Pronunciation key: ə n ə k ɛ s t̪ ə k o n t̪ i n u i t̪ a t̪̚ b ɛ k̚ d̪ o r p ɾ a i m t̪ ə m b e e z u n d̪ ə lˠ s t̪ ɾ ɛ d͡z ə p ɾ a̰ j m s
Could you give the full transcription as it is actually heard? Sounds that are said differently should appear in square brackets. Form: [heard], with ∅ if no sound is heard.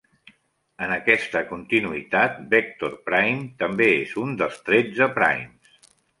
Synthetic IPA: ə n ə k ɛ s t̪ ə k [u] n t̪ i n u i t̪ a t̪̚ b ɛ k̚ [t̪] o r p ɾ a [j] m t̪ ə m b e e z u n d̪ ə lˠ s t̪ ɾ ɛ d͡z ə p ɾ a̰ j m s